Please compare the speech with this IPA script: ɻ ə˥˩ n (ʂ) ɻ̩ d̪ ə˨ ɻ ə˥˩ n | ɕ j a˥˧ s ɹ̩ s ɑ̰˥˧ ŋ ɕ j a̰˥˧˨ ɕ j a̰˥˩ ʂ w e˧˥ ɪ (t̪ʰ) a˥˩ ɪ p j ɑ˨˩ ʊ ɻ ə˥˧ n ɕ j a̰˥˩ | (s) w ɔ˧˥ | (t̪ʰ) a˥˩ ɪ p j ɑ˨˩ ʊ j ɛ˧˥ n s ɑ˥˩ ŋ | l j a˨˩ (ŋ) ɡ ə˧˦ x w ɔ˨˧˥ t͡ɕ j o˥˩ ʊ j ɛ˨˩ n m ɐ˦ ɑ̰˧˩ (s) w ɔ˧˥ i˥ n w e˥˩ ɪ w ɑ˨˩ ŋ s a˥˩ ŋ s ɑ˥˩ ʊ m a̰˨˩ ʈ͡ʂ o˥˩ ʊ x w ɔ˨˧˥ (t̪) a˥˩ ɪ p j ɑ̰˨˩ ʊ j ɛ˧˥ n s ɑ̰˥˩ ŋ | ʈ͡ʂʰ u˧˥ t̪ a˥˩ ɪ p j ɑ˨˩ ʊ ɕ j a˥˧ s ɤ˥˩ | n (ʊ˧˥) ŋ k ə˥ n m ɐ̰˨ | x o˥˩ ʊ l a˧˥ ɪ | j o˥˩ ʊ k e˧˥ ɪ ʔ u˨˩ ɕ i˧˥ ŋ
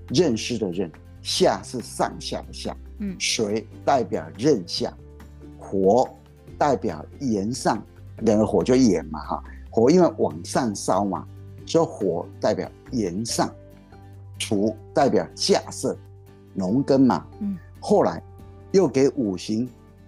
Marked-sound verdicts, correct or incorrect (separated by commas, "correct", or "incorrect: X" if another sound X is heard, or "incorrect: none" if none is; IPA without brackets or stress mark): correct, incorrect: t̪, incorrect: x, incorrect: t̪, correct, incorrect: x, correct, correct